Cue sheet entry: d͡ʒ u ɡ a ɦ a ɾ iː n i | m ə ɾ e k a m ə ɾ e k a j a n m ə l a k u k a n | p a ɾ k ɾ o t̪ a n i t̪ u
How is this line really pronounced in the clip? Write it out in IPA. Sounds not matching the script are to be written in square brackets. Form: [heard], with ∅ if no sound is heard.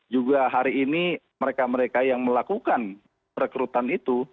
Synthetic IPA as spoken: d͡ʒ u ɡ a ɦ a ɾ iː n i | m ə ɾ e k a m ə ɾ e k a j a [ŋ] m ə l a k u k a n | p [ə] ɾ k ɾ [u] t̪ a n i t̪ u